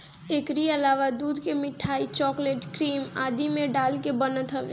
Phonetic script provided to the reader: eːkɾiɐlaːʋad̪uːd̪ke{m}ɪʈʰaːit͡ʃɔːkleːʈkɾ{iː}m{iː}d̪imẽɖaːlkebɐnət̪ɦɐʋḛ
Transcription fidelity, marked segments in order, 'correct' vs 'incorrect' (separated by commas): correct, correct, incorrect